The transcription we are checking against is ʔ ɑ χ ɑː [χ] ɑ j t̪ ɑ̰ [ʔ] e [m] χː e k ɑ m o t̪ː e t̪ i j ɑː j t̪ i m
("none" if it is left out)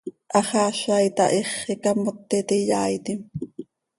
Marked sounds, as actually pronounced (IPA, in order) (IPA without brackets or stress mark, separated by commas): ʃ, ʔ, none